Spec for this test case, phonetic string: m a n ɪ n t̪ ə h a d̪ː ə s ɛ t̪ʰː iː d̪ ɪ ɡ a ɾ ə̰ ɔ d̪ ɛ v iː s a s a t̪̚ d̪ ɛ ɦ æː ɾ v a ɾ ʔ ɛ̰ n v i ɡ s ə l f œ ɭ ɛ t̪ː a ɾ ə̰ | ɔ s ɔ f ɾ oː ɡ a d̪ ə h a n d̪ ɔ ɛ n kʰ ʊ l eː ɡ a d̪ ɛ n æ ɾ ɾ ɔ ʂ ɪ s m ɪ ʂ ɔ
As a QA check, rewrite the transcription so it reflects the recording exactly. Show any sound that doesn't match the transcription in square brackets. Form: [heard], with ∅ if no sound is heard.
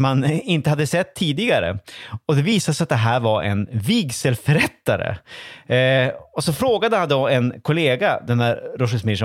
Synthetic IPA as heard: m a n ɪ n t̪ ə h a d̪ː ə s ɛ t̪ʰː iː d̪ ɪ ɡ a ɾ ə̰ ɔ d̪ ɛ v iː s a s a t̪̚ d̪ ɛ ɦ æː ɾ v a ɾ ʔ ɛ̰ n v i ɡ s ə l f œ [ɾ] ɛ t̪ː a ɾ ə̰ | ɔ s ɔ f ɾ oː ɡ a d̪ ə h a n d̪ ɔ ɛ n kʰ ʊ l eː ɡ a d̪ ɛ n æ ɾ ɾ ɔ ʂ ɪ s m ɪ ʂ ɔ